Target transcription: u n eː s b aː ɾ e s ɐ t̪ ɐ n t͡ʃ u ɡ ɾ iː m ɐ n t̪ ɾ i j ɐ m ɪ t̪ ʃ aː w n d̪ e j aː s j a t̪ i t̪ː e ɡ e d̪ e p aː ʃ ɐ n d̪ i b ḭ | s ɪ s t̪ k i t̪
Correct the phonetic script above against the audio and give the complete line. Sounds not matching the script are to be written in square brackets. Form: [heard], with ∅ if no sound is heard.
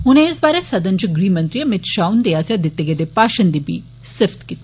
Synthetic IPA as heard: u n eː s b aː ɾ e s ɐ [d̪] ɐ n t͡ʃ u ɡ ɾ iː m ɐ n t̪ ɾ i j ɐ m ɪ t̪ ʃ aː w n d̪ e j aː s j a [d̪] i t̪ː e ɡ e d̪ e p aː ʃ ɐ n d̪ i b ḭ | s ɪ [f] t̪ k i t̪